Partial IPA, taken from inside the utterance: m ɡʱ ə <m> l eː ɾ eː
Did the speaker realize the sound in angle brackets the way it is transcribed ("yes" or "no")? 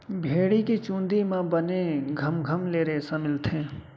yes